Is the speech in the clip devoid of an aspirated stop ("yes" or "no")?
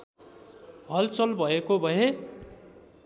yes